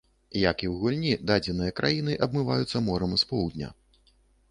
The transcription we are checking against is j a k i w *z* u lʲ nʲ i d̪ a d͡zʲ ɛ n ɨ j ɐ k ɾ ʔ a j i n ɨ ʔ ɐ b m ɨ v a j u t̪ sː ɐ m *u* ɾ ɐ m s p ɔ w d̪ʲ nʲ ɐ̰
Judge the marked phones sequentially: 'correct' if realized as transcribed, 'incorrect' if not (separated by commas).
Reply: incorrect, incorrect